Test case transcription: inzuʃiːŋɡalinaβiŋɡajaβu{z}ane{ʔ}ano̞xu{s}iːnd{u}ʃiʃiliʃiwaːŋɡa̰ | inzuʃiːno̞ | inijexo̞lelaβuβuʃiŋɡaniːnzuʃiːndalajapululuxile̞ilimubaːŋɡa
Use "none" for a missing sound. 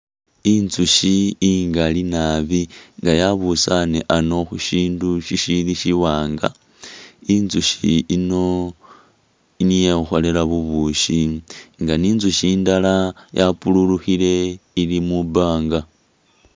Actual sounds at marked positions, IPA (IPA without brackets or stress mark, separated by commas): s, ʔ, ʃ, u